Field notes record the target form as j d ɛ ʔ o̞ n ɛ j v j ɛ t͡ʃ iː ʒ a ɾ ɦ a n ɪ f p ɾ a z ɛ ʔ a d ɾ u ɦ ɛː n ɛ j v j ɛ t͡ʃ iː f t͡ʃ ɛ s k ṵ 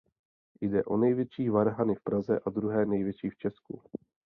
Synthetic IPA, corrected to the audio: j d ɛ ʔ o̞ n ɛ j v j ɛ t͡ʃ iː v a ɾ ɦ a n ɪ f p ɾ a z ɛ ʔ a d ɾ u ɦ ɛː n ɛ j v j ɛ t͡ʃ iː f t͡ʃ ɛ s k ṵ